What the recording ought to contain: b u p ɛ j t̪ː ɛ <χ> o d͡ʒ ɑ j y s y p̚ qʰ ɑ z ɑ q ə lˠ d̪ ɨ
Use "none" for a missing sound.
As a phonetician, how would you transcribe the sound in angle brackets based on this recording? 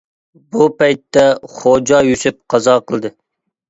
χ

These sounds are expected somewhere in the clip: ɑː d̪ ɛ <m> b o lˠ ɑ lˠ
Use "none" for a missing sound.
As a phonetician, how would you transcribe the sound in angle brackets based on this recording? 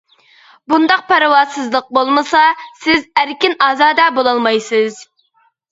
none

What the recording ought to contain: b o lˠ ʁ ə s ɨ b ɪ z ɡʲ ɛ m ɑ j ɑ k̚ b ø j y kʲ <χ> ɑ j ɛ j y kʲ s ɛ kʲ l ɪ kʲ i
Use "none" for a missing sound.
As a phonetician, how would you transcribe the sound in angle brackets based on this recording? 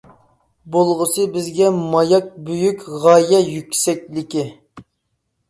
ʁ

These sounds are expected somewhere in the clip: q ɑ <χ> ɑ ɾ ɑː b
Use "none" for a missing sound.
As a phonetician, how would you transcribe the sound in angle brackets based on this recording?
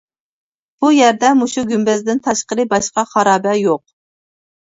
χ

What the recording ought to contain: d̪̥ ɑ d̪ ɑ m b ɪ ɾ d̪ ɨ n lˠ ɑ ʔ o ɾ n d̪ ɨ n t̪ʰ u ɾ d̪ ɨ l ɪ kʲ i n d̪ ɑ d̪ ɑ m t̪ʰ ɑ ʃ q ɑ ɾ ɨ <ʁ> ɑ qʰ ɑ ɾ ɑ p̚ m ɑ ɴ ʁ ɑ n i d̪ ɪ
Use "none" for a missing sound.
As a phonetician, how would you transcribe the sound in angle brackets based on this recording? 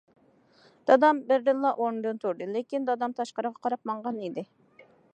ʁ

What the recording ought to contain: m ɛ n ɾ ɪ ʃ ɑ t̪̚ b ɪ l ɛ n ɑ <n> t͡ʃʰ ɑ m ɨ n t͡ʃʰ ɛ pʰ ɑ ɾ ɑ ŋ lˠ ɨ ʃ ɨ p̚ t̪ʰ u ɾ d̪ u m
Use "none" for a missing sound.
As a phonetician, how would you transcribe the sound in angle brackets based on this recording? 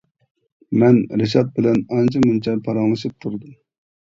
n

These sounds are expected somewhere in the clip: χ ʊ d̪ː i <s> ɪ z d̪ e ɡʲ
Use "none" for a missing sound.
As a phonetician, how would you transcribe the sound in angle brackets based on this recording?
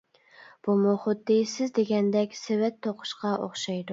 s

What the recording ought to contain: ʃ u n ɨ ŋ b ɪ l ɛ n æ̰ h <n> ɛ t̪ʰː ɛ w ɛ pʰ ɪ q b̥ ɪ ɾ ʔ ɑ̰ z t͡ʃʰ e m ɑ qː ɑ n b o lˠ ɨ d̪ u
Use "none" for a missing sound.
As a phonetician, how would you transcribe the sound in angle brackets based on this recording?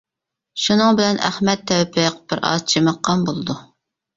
m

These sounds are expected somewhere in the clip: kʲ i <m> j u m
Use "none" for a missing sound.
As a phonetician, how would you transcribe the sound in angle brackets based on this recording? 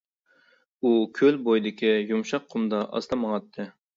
none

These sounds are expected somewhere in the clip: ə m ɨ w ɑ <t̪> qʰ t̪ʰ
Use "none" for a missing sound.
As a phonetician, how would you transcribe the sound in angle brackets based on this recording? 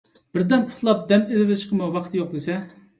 none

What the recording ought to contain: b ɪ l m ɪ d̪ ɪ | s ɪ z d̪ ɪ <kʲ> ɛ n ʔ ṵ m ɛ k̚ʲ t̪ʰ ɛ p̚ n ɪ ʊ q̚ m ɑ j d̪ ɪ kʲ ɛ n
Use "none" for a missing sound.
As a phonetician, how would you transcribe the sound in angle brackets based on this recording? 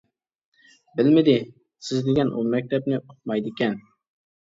ɡʲ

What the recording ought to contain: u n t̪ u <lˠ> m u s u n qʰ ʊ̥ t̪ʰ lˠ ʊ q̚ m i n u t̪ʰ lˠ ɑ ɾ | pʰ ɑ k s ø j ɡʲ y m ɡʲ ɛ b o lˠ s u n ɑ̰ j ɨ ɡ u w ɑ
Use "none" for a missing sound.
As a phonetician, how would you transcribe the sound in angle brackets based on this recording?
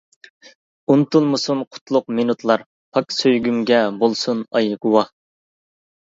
lˠ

